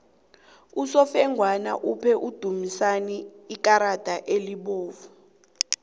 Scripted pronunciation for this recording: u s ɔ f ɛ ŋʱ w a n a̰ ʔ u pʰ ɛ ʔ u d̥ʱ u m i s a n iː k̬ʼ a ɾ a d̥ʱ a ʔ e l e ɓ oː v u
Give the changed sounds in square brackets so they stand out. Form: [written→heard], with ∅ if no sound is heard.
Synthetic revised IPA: u s ɔ f ɛ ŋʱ w a n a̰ ʔ u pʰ ɛ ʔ u d̥ʱ u m i s a n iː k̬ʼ a ɾ a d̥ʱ a ʔ e l [e→i] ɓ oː v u